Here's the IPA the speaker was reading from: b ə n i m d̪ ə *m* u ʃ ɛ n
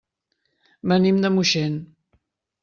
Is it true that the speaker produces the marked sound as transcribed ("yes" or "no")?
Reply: yes